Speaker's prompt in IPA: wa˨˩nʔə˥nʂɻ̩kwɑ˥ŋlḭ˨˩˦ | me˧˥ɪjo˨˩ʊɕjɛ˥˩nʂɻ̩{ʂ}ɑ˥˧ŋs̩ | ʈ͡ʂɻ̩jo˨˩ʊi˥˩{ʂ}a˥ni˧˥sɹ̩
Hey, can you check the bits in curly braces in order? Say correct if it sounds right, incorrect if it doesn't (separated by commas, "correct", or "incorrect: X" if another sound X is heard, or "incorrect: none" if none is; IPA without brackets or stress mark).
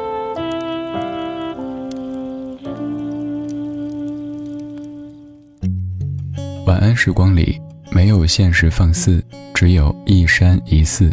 incorrect: f, correct